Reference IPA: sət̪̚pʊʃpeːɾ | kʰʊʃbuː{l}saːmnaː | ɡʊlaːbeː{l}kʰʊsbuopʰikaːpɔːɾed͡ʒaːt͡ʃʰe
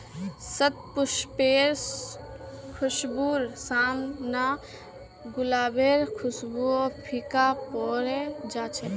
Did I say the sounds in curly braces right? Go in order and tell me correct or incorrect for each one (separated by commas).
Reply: incorrect, incorrect